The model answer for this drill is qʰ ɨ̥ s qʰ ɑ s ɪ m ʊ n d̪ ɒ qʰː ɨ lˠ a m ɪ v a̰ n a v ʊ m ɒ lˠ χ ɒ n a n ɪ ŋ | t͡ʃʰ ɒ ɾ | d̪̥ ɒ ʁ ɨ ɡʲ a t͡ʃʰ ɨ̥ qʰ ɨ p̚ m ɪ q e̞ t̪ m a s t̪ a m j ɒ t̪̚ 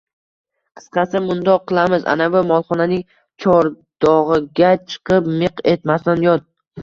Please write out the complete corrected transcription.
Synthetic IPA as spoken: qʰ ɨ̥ s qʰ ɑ s ɪ m ʊ n d̪ ɒ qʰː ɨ lˠ a m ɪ z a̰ n a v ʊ m ɒ lˠ χ ɒ n a n ɪ ŋ | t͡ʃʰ ɒ ɾ | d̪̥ ɒ ʁ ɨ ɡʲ a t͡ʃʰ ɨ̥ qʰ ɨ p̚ m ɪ q e̞ t̪ m a s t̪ a n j ɒ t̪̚